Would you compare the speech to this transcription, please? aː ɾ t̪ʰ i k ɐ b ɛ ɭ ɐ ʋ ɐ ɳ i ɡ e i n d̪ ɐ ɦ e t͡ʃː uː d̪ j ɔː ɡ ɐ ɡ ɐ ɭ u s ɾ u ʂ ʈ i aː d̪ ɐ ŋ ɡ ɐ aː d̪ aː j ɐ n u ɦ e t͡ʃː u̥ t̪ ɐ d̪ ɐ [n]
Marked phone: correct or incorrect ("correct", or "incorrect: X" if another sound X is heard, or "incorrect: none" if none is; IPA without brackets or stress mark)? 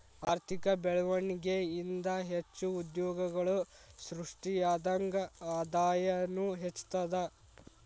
incorrect: none